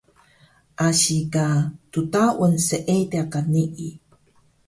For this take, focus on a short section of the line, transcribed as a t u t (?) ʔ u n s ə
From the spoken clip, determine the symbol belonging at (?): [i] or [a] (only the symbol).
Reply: a